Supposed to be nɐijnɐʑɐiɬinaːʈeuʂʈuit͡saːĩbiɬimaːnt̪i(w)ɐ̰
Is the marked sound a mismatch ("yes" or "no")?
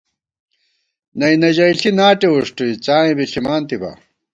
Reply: yes